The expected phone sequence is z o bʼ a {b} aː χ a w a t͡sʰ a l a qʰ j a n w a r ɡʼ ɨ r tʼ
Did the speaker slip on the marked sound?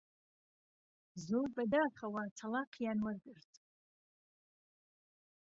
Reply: yes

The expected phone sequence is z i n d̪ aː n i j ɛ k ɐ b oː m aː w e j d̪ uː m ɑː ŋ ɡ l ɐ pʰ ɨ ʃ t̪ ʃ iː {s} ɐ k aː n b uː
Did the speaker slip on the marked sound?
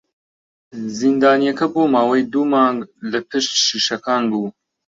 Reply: yes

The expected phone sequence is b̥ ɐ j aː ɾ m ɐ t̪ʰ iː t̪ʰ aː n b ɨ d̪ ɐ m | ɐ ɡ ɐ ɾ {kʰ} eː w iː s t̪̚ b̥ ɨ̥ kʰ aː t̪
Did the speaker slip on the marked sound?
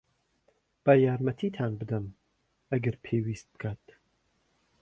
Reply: yes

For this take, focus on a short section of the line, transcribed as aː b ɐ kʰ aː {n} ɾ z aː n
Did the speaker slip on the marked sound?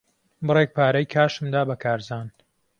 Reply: yes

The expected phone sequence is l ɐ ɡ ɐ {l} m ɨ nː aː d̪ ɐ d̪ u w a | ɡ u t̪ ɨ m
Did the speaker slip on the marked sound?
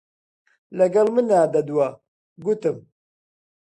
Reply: no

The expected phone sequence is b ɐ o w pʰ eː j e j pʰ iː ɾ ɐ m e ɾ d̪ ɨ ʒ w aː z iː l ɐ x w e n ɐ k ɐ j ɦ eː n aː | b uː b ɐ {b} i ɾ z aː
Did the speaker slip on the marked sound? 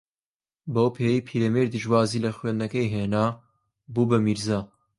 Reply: yes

